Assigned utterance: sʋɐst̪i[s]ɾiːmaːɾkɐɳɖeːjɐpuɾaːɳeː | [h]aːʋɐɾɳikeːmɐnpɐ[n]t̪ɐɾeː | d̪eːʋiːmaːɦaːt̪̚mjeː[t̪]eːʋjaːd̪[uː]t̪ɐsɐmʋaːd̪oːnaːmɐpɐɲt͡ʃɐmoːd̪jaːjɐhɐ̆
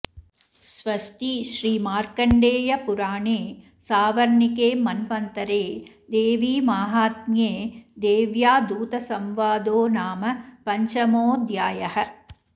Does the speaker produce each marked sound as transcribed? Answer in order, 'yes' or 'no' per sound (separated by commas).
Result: no, no, yes, no, yes